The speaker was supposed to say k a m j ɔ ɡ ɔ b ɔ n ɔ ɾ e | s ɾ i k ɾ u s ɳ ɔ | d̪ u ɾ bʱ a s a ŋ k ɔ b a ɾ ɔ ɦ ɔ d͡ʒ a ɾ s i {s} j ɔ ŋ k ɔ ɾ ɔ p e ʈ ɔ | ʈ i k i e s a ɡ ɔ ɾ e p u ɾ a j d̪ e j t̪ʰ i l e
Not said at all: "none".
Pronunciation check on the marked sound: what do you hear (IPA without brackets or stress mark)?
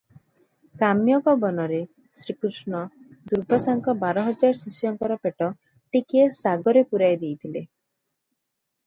s